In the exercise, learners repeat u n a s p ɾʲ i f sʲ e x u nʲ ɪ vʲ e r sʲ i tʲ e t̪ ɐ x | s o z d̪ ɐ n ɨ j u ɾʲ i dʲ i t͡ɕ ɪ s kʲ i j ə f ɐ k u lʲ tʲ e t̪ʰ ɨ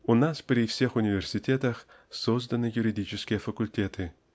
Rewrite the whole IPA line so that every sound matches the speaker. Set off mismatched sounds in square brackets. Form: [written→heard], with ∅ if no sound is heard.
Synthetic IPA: u n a s p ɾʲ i f sʲ e x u nʲ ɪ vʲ e r sʲ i tʲ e t̪ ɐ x | s o z d̪ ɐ n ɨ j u ɾʲ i dʲ i t͡ɕ ɪ s kʲ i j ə f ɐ k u lʲ tʲ e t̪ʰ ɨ